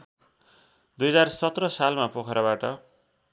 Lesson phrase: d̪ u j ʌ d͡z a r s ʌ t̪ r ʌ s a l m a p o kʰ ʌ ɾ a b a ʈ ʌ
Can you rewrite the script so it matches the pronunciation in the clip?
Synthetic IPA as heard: d̪ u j ʌ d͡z a r s ʌ t̪ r ʌ s a l m a p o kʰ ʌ ɾ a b a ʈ ʌ